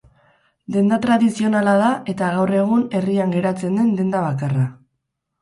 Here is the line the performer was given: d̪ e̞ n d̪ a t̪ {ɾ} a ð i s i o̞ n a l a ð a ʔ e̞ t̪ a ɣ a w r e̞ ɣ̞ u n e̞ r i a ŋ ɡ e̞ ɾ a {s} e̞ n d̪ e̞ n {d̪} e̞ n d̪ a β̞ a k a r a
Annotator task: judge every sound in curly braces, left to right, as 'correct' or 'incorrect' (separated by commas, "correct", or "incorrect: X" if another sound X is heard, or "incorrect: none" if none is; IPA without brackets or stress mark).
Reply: correct, incorrect: t͡s, correct